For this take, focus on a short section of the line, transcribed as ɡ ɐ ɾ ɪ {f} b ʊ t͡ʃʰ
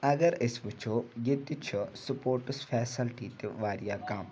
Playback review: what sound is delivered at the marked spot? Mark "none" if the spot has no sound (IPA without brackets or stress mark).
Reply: s